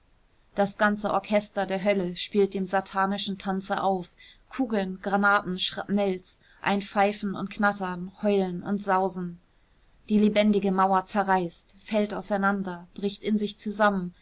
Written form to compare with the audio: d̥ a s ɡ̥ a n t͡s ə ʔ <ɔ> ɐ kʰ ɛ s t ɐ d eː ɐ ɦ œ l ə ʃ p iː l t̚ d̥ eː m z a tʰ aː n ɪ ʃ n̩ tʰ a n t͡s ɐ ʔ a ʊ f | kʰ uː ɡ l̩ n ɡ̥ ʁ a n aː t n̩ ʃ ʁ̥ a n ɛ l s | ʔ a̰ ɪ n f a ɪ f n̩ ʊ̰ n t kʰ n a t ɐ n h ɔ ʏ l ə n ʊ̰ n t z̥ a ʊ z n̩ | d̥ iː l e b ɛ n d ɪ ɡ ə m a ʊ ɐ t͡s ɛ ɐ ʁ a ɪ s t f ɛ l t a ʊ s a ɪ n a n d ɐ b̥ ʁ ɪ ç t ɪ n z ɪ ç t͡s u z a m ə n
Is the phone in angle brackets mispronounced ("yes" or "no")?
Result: no